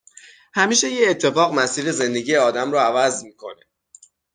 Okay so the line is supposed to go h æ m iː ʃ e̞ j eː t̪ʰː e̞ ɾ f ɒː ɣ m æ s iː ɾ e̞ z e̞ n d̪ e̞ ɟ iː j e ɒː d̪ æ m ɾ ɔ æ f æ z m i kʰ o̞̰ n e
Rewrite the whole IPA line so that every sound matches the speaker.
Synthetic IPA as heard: h æ m iː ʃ e̞ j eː t̪ʰː e̞ f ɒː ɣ m æ s iː ɾ e̞ z e̞ n d̪ e̞ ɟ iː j e ɒː d̪ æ m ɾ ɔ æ v æ z m i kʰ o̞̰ n e